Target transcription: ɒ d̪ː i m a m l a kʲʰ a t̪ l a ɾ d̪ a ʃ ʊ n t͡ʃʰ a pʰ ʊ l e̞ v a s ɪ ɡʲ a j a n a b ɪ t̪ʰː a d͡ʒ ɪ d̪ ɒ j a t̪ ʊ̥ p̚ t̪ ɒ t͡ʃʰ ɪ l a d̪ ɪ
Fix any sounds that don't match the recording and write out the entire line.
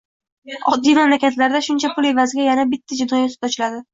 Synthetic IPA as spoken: ɒ d̪ː i m a m l a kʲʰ a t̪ l a ɾ d̪ a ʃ ʊ n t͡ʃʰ a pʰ ʊ l e̞ v a z ɪ ɡʲ a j a n a b ɪ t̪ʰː a d͡ʒ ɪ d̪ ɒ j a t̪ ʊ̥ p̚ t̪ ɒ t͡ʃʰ ɪ l a d̪ ɪ